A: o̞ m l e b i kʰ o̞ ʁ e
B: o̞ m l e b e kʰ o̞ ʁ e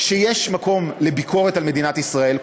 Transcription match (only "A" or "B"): A